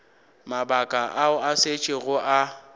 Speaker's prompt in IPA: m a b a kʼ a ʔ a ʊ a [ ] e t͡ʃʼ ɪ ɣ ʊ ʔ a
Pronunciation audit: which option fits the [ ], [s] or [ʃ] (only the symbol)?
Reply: s